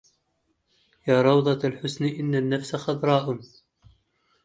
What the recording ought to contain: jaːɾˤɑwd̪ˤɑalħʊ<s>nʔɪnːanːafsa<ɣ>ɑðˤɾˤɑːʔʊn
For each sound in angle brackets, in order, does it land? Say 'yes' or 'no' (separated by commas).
yes, no